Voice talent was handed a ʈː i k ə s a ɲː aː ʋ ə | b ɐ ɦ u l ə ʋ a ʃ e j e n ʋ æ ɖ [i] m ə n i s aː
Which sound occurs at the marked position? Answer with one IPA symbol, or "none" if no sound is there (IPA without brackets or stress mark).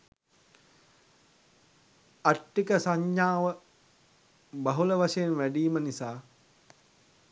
iː